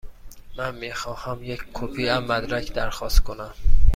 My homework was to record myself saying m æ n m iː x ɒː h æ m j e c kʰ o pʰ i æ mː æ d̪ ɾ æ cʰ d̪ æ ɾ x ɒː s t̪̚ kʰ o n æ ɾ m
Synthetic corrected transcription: m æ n m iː x ɒː h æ m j e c kʰ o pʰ i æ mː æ d̪ ɾ æ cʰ d̪ æ ɾ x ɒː s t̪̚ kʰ o n æ m